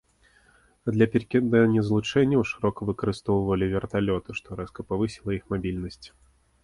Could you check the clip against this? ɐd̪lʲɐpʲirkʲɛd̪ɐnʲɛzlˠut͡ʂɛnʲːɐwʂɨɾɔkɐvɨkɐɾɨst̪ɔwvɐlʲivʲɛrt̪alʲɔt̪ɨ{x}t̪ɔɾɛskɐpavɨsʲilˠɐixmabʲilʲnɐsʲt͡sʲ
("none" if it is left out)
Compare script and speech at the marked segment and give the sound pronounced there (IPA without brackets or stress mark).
ʂ